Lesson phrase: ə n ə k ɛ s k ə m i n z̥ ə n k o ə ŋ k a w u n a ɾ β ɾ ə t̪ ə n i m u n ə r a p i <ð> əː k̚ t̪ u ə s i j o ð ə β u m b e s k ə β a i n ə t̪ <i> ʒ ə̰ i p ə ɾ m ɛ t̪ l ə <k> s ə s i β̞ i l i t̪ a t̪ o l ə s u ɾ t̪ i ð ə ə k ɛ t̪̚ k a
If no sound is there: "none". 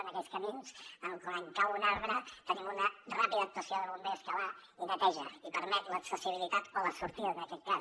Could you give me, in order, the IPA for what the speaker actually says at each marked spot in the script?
ð, ɛ, k

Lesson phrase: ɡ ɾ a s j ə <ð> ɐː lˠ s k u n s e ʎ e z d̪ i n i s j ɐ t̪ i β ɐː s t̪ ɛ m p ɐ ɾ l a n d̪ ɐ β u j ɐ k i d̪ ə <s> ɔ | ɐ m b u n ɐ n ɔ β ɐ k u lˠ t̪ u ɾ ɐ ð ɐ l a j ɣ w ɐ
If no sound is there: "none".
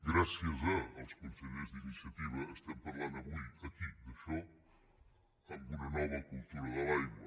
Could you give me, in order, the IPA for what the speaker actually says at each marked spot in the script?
z, ʃ

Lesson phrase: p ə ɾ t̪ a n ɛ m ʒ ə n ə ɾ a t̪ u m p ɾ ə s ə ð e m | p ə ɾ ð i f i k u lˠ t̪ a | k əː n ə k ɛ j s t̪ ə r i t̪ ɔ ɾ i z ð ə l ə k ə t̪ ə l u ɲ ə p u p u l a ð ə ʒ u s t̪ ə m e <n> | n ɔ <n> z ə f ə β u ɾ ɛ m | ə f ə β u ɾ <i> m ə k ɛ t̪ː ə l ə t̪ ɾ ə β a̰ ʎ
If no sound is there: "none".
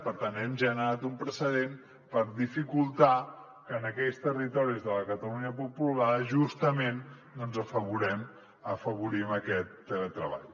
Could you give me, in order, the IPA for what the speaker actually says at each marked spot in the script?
n, n, i

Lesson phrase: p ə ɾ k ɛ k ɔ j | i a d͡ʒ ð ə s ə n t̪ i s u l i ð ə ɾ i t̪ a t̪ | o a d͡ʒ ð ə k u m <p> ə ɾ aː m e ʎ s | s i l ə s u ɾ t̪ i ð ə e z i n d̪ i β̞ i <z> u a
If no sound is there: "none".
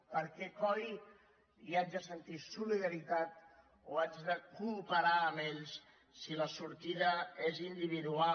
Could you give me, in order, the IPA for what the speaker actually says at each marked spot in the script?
p, ð

